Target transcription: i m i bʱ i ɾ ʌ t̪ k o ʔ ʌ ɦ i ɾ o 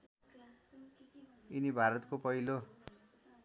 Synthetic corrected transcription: i n i bʱ a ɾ ʌ t̪ k o p ʌ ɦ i l o

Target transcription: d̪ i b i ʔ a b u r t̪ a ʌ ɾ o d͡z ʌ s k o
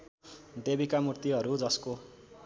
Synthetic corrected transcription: d̪ e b i k a m u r t̪ i ʌ ɾ u d͡z ʌ s k o

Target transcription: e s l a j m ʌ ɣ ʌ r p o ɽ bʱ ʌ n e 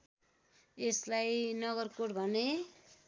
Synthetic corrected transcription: e s l a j n ʌ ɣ ʌ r k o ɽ bʱ ʌ n e

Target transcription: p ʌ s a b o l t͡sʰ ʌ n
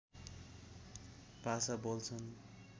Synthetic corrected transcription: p a s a b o l t͡sʰ ʌ n

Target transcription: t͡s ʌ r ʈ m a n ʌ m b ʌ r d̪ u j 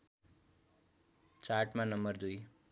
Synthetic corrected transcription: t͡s a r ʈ m a n ʌ m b ʌ r d̪ u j

